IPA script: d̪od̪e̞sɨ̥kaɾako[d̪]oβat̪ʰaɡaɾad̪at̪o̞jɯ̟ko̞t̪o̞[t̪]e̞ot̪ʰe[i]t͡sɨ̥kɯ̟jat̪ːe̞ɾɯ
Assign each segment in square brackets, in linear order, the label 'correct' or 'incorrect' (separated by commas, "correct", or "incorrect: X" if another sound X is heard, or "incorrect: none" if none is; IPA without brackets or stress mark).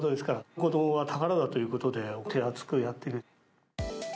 correct, incorrect: d̪, incorrect: a